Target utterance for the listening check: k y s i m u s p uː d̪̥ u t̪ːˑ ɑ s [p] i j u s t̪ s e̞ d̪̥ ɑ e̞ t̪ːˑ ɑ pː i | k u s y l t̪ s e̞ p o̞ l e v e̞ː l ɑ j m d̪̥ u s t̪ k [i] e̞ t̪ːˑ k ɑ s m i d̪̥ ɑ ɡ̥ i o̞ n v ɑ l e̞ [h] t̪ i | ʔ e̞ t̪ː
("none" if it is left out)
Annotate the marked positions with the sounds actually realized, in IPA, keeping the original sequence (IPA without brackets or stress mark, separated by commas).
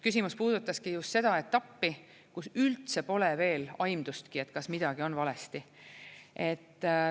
k, i, s